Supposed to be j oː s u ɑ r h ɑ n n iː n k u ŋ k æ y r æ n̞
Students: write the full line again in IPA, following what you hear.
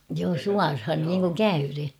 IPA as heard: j oː s u ɑ r h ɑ n n iː ŋ k u ŋ k æ y r e n̞